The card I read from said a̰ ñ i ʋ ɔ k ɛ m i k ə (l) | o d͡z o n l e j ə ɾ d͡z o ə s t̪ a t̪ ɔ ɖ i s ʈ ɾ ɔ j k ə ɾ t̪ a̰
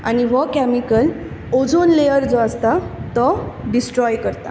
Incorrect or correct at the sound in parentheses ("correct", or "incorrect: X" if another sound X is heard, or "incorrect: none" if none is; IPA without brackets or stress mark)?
correct